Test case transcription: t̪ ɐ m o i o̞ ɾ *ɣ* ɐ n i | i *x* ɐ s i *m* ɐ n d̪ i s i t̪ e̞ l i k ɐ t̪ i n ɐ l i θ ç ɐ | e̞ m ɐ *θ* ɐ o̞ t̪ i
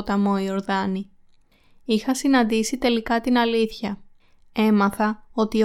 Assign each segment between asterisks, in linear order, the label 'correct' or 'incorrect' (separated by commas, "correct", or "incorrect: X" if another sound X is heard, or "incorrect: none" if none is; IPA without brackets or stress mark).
incorrect: ð, correct, incorrect: n, correct